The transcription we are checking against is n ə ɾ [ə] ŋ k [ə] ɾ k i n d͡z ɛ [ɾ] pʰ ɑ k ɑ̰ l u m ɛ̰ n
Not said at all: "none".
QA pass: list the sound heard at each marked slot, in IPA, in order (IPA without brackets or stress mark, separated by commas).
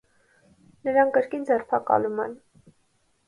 ɑ, ə, r